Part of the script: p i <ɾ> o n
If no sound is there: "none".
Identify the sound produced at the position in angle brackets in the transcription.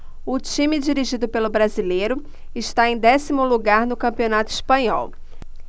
none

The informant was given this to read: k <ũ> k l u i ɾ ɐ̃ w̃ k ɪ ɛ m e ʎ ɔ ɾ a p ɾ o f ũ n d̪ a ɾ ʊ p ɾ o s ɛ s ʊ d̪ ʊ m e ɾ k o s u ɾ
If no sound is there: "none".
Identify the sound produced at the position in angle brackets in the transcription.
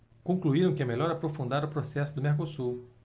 õ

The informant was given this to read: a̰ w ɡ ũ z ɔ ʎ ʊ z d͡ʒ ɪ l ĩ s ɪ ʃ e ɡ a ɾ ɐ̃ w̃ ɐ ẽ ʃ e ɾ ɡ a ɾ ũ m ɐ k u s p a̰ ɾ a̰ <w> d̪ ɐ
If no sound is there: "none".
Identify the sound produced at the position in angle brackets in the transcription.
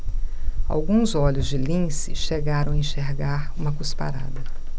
none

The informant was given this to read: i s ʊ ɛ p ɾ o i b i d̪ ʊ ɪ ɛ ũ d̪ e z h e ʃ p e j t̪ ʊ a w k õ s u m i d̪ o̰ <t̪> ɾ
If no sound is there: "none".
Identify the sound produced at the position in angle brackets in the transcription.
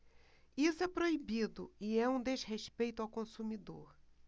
none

